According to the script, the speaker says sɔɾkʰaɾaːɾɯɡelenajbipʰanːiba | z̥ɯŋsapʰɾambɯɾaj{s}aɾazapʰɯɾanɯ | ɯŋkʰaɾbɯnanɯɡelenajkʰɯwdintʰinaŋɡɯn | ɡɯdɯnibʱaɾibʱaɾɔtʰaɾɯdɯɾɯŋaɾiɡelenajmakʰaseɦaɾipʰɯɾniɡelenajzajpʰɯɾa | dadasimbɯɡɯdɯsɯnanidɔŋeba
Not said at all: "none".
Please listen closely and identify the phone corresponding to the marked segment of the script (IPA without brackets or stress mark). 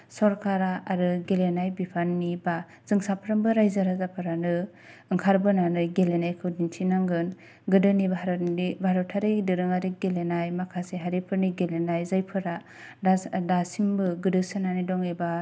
z